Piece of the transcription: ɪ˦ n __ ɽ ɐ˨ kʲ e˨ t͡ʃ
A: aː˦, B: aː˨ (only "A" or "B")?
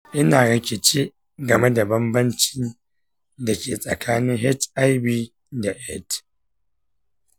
B